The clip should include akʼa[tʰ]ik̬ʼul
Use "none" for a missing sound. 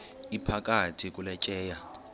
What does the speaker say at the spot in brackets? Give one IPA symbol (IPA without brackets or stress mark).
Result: tʰ